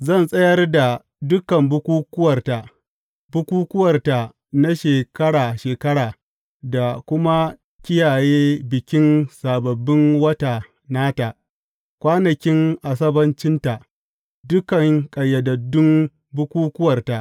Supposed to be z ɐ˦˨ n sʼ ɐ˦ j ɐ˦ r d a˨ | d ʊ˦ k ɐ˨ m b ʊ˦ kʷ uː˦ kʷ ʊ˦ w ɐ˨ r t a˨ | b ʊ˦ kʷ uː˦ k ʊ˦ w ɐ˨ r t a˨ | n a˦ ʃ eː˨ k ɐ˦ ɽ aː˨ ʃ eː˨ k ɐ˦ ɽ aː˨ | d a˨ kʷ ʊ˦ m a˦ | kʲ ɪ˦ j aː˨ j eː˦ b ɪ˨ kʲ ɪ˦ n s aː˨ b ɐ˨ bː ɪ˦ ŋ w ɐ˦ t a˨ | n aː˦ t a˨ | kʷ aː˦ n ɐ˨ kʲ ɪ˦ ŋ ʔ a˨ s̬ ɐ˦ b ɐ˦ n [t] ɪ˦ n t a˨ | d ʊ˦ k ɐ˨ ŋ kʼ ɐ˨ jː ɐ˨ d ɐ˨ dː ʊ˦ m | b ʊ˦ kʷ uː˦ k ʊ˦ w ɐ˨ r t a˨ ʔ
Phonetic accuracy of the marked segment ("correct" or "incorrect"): incorrect